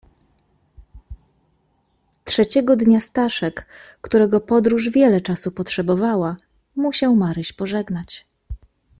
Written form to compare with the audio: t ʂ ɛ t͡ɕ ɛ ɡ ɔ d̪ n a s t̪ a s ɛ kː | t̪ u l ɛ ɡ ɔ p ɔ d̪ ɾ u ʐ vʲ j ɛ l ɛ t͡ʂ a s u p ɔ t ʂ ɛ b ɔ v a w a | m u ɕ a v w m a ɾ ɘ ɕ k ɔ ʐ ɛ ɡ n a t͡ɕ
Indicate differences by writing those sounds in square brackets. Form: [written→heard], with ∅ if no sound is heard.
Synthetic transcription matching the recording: t ʂ ɛ t͡ɕ ɛ ɡ ɔ d̪ [n→ɲ] a s t̪ a [s→ʂ] ɛ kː | t̪ u [l→ɾ] ɛ ɡ ɔ p ɔ d̪ ɾ u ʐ vʲ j ɛ l ɛ t͡ʂ a s u p ɔ t ʂ ɛ b ɔ v a w a | m u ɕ a [v→∅] w m a ɾ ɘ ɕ [k→p] ɔ ʐ ɛ ɡ n a t͡ɕ

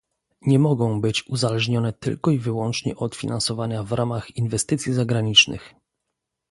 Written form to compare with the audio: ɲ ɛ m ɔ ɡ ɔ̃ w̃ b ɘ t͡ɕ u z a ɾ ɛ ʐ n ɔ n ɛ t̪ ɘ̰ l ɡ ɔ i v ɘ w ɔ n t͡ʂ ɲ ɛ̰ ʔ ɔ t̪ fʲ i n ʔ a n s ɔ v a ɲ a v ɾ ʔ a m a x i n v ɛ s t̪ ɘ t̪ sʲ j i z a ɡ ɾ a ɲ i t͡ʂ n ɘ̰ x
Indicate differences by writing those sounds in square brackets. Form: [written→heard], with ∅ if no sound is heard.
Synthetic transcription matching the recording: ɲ ɛ m ɔ ɡ ɔ̃ w̃ b ɘ t͡ɕ u z a [ɾ→l] ɛ ʐ [n→ɲ] ɔ n ɛ t̪ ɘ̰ l [ɡ→k] ɔ i v ɘ w ɔ n t͡ʂ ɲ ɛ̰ ʔ ɔ t̪ fʲ i n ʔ a n s ɔ v a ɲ a v ɾ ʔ a m a x i n v ɛ s t̪ ɘ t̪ sʲ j i z a ɡ ɾ a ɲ i t͡ʂ n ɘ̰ x

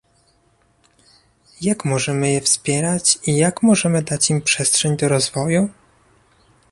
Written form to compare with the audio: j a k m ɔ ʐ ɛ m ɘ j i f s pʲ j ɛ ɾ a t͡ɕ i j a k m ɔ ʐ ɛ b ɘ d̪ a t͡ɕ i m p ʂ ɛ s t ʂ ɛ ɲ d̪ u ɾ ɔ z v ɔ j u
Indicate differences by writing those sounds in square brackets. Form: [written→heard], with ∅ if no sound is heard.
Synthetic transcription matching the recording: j a k m ɔ ʐ ɛ m ɘ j [i→ɛ] f s pʲ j ɛ ɾ a t͡ɕ i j a k m ɔ ʐ ɛ [b→m] ɘ d̪ a t͡ɕ i m p ʂ ɛ s t ʂ ɛ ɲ d̪ [u→ɔ] ɾ ɔ z v ɔ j u

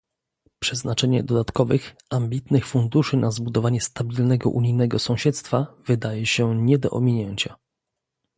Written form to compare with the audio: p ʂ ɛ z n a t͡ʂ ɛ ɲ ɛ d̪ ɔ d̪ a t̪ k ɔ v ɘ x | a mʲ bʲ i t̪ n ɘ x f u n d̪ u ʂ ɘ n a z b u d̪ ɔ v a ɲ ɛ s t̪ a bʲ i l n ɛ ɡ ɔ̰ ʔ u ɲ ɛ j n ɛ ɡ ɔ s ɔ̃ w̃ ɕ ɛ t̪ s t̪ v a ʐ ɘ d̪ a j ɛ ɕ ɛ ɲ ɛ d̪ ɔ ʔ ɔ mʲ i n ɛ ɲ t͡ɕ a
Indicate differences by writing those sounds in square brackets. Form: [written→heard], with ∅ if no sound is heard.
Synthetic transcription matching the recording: p ʂ ɛ z n a t͡ʂ ɛ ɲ ɛ d̪ ɔ d̪ a t̪ k ɔ v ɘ x | a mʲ bʲ i t̪ n ɘ x f u n d̪ u ʂ ɘ n a z b u d̪ ɔ v a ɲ ɛ s t̪ a bʲ i l n ɛ ɡ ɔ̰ ʔ u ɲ [ɛ→i] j n ɛ ɡ ɔ s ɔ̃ w̃ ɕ ɛ t̪ s t̪ [v→f] a [ʐ→v] ɘ d̪ a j ɛ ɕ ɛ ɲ ɛ d̪ ɔ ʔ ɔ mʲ i [n→ɲ] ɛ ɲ t͡ɕ a

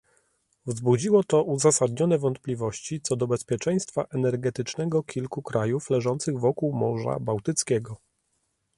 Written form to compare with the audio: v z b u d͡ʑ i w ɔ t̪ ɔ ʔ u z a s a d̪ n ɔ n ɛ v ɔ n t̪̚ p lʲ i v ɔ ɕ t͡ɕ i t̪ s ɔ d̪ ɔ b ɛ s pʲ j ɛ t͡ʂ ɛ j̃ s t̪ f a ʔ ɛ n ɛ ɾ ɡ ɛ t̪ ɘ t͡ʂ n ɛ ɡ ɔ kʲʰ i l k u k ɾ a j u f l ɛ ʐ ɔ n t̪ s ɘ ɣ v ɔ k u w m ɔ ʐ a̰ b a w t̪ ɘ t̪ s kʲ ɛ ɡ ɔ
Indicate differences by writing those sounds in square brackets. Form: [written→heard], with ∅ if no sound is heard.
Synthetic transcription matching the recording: v z b u d͡ʑ i w ɔ t̪ ɔ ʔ u z a s a d̪ [n→ɲ] ɔ n ɛ v ɔ n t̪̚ p lʲ i v ɔ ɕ t͡ɕ i t̪ s ɔ d̪ ɔ b ɛ s pʲ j ɛ t͡ʂ ɛ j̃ s t̪ f a ʔ ɛ n ɛ ɾ ɡ ɛ t̪ ɘ t͡ʂ n ɛ ɡ ɔ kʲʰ i l k u k ɾ a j u f l ɛ ʐ ɔ n t̪ s ɘ ɣ v ɔ k u w m ɔ ʐ a̰ b a w t̪ ɘ t̪ s kʲ ɛ ɡ ɔ

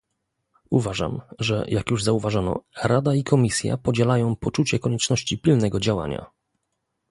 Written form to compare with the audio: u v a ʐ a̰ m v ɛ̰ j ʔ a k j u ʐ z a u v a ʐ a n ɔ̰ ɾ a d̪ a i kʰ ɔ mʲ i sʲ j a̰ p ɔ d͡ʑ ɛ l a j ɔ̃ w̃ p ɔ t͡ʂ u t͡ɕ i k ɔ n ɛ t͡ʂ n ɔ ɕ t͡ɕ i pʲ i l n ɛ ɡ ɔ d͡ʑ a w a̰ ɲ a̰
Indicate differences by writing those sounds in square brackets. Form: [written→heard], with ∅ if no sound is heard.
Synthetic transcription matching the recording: u v a ʐ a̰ m [v→ʐ] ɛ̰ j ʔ a k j u ʐ z a u v a ʐ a n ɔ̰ ɾ a d̪ a i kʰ ɔ mʲ i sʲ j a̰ p ɔ d͡ʑ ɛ l a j ɔ̃ w̃ p ɔ t͡ʂ u t͡ɕ [i→ɛ] k ɔ [n→ɲ] ɛ t͡ʂ n ɔ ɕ t͡ɕ i pʲ i l n ɛ ɡ ɔ d͡ʑ a w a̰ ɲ a̰

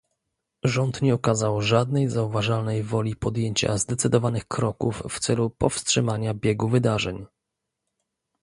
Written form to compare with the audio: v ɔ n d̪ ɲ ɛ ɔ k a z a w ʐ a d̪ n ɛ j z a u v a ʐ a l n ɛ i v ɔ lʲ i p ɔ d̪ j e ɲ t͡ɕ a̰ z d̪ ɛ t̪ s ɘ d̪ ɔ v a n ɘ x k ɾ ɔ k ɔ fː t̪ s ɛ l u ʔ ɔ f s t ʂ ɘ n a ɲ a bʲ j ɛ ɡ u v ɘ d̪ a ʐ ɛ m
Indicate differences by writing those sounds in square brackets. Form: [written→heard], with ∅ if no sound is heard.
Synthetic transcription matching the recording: [v→ʐ] ɔ n [d̪→t̪] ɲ ɛ ɔ k a z a w ʐ a d̪ n ɛ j z a u v a ʐ a l n ɛ [i→j] v ɔ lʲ i p ɔ d̪ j e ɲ t͡ɕ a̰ z d̪ ɛ t̪ s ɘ d̪ ɔ v a n ɘ x k ɾ ɔ k [ɔ→u] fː t̪ s ɛ l u [ʔ→p] ɔ f s t ʂ ɘ [n→m] a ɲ a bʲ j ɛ ɡ u v ɘ d̪ a ʐ ɛ [m→ɲ]

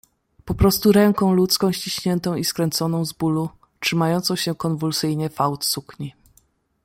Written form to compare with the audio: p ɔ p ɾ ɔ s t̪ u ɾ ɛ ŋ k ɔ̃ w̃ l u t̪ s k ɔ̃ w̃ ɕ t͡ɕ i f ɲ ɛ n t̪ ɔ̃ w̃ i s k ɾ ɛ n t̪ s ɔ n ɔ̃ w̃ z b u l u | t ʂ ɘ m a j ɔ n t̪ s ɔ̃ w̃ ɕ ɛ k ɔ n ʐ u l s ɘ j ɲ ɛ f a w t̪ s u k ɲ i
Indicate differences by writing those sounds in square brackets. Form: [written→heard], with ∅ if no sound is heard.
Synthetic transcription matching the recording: p ɔ p ɾ ɔ s t̪ u ɾ ɛ ŋ k ɔ̃ w̃ l u t̪ s k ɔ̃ w̃ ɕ t͡ɕ i [f→ɕ] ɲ ɛ n t̪ ɔ̃ w̃ i s k ɾ ɛ n t̪ s ɔ n ɔ̃ w̃ z b u l u | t ʂ ɘ m a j ɔ n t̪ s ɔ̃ w̃ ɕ ɛ k ɔ n [ʐ→v] u l s ɘ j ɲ ɛ f a w t̪ s u k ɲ i

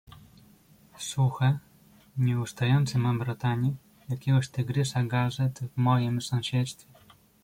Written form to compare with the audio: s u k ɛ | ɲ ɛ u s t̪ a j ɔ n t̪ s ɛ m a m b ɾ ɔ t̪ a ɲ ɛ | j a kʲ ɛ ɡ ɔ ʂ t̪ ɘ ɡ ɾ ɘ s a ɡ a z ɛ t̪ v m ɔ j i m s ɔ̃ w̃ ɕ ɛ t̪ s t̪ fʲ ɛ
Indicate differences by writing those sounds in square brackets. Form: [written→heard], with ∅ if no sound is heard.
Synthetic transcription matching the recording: s u [k→x] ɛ | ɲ ɛ u s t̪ a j ɔ n t̪ s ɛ m a m b ɾ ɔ t̪ a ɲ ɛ | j a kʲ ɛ ɡ ɔ [ʂ→ɕ] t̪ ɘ ɡ ɾ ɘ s a ɡ a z ɛ t̪ v m ɔ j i m s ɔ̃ w̃ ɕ ɛ t̪ s t̪ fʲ ɛ

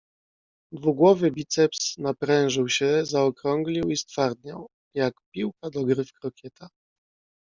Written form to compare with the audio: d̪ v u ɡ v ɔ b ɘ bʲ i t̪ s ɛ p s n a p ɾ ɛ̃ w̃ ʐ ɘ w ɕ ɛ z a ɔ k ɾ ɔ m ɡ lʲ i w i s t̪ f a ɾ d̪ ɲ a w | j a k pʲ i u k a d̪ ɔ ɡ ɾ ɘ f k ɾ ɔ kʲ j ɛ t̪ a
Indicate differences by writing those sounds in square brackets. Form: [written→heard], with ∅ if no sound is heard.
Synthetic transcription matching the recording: d̪ v u ɡ [v→w] ɔ [b→v] ɘ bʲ i t̪ s ɛ p s n a p ɾ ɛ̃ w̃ ʐ ɘ w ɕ ɛ z a ɔ k ɾ ɔ [m→ŋ] ɡ lʲ i w i s t̪ f a ɾ d̪ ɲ a w | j a k pʲ i [u→w] k a d̪ ɔ ɡ ɾ ɘ f k ɾ ɔ kʲ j ɛ t̪ a

